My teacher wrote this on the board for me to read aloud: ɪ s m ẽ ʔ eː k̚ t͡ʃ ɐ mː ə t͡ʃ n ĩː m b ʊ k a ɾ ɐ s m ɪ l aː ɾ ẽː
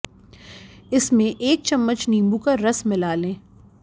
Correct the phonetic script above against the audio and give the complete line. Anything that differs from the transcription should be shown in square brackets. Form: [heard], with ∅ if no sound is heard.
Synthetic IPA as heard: ɪ s m ẽ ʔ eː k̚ t͡ʃ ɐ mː ə t͡ʃ n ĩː m b [u] k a ɾ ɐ s m ɪ l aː [l] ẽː